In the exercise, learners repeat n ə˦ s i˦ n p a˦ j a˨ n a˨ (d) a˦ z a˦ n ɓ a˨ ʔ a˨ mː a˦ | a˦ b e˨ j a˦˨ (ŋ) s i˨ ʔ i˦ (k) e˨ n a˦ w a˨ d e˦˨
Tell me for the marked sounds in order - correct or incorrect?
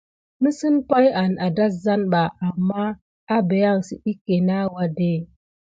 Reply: correct, correct, correct

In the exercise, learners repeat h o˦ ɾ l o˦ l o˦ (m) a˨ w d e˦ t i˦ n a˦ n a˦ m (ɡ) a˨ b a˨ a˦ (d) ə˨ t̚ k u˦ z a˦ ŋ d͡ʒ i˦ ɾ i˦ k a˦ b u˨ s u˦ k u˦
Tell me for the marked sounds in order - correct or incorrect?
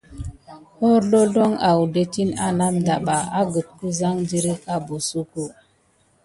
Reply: incorrect: ŋ, incorrect: d, incorrect: ɡ

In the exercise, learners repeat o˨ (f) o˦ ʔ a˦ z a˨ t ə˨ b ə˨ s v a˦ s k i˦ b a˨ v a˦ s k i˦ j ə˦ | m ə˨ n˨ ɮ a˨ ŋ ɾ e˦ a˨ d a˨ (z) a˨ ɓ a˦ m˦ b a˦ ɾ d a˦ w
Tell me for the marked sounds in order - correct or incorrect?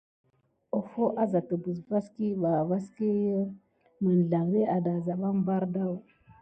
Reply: correct, correct

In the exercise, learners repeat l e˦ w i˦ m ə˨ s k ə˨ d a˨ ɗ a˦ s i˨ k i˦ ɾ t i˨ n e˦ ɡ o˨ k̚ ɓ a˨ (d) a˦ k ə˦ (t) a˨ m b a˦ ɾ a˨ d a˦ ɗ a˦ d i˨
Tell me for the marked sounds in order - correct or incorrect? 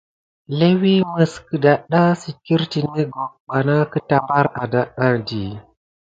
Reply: incorrect: n, correct

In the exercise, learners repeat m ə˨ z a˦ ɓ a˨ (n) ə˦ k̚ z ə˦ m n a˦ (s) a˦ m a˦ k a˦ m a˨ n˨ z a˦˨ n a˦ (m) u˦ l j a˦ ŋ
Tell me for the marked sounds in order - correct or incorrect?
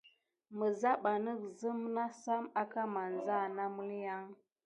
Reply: correct, correct, correct

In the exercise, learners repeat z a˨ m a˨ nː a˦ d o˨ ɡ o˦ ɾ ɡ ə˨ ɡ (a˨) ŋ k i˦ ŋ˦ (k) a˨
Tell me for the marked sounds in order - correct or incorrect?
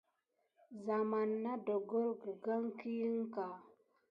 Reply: incorrect: a˦, correct

